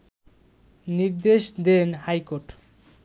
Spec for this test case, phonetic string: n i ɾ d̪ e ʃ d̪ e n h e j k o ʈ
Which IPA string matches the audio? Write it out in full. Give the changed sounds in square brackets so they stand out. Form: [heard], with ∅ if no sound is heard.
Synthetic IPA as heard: n i ɾ d̪ e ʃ d̪ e n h [a] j k o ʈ